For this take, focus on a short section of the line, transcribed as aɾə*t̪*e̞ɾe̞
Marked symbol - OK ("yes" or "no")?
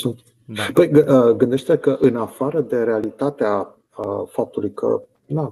no